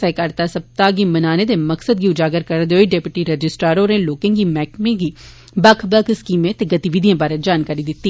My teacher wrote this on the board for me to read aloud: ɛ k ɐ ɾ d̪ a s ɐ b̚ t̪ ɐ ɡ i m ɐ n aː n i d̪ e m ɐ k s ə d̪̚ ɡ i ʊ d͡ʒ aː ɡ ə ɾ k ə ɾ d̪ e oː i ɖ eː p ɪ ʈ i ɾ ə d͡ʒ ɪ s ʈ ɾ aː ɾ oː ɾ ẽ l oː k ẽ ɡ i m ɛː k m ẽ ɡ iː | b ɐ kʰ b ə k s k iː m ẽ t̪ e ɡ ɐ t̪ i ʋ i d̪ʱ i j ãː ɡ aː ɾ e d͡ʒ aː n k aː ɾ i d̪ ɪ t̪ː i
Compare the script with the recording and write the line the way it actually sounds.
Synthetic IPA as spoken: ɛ k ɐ ɾ t̪ a s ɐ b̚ t̪ a ɡ i m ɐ n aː n e d̪ e m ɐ k s ə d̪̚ ɡ i ʊ d͡ʒ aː ɡ ə ɾ k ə ɾ d̪ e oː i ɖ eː p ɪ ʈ i ɾ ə d͡ʒ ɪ s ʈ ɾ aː ɾ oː ɾ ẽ l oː k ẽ ɡ i m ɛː k m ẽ ɡ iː | b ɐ kʰ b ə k s k iː m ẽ t̪ e ɡ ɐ t̪ i ʋ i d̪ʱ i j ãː b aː ɾ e d͡ʒ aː n k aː ɾ i d̪ ɪ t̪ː i